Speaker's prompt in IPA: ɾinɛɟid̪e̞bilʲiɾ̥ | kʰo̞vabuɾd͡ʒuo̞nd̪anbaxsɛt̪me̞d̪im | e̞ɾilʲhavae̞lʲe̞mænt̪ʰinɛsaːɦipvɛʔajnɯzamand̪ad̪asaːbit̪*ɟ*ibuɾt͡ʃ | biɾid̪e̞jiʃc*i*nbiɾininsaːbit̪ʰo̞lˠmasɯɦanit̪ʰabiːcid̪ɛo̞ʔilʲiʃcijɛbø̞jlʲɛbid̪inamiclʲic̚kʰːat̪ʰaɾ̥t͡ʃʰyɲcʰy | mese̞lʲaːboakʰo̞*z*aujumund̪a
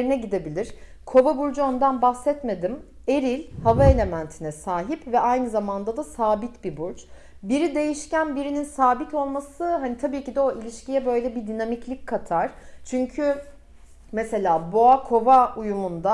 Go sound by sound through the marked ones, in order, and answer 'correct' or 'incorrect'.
incorrect: b, incorrect: æ, incorrect: v

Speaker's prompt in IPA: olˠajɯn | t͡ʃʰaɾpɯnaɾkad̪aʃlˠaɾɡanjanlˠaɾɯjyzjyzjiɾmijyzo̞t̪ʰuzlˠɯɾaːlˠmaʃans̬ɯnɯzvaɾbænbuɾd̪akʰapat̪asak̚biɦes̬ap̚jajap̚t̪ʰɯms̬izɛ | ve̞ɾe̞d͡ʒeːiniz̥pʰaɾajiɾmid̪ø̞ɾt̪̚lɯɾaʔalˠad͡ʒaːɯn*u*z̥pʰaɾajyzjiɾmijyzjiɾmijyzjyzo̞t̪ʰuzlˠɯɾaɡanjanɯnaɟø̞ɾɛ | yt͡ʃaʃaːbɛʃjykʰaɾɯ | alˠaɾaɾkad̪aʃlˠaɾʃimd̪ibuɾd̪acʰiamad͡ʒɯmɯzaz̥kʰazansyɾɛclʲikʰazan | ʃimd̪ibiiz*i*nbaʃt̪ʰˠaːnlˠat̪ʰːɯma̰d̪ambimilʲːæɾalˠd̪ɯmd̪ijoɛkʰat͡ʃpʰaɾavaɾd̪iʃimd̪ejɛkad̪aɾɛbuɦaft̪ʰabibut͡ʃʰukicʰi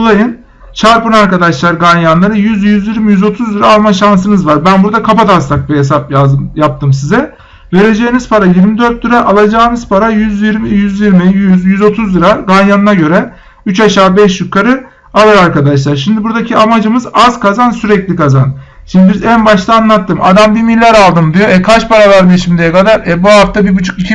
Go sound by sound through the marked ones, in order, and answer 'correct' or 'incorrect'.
incorrect: ɯ, incorrect: æ

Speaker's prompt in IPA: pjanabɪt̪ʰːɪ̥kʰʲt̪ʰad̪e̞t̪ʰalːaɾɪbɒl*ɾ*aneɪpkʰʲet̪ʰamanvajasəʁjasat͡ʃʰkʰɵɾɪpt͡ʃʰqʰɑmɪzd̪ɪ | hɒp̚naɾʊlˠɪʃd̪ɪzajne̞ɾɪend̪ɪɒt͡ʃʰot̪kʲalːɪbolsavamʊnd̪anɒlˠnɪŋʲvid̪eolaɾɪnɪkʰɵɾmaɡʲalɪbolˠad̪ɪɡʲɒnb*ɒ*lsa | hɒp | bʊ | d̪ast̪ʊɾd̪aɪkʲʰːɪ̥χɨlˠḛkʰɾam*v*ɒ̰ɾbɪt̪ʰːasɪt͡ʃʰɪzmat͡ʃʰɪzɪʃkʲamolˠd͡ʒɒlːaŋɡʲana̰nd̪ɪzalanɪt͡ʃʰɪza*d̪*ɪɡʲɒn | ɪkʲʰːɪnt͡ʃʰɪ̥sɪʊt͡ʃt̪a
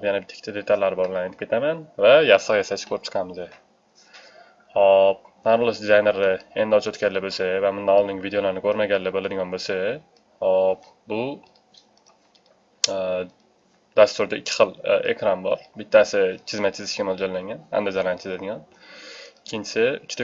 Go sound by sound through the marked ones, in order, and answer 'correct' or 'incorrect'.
incorrect: l, incorrect: o, incorrect: b, correct

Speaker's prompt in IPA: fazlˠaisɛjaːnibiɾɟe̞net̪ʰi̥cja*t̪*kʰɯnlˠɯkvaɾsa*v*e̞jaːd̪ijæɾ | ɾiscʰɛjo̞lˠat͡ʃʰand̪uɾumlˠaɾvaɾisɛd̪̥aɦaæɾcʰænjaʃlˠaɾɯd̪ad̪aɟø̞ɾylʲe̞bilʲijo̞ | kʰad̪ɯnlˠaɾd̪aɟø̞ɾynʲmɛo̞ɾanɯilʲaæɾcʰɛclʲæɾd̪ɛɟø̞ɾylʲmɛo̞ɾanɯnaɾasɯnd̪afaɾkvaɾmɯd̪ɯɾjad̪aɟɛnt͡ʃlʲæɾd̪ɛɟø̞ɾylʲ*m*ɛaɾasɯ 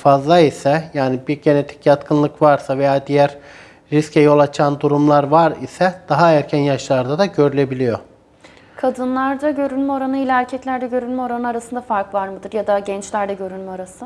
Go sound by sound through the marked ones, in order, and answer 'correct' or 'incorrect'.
correct, correct, correct

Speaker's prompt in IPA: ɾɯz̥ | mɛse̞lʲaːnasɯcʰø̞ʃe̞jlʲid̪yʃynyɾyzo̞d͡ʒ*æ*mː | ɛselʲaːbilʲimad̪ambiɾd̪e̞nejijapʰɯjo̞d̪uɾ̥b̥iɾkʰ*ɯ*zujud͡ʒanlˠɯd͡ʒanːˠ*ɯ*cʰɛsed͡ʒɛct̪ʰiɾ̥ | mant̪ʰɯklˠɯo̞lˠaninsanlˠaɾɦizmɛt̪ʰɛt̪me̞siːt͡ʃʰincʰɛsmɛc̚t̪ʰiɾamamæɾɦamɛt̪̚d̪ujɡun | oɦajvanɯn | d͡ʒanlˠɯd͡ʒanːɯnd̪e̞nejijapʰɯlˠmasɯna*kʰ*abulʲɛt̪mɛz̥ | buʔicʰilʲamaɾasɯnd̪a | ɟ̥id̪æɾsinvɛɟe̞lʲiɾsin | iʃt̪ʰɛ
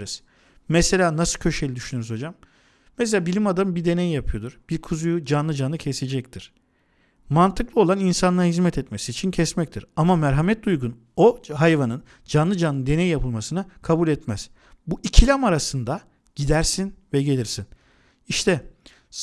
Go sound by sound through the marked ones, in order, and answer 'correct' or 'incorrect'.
incorrect: a, incorrect: u, correct, correct

